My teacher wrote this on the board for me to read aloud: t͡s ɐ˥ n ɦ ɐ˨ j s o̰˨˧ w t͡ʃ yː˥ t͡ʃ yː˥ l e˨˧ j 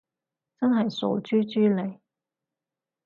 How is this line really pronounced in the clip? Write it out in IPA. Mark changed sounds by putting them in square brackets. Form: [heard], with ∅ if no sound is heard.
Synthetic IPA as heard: t͡s ɐ˥ n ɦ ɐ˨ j s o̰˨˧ w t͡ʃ yː˥ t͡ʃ yː˥ l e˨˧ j